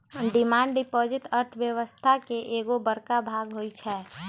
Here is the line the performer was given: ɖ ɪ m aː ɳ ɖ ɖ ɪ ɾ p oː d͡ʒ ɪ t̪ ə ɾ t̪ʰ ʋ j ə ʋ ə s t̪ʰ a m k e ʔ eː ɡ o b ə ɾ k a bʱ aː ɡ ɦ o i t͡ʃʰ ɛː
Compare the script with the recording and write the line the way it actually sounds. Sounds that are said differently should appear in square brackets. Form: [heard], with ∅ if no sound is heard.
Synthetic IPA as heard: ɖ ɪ m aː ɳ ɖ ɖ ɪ [∅] p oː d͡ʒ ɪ t̪ ə ɾ t̪ʰ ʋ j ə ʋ ə s t̪ʰ a [∅] k e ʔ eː ɡ o b ə ɾ k a bʱ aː ɡ ɦ o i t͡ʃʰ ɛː